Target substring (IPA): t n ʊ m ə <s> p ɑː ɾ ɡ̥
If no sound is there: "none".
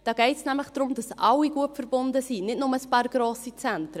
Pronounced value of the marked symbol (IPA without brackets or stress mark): s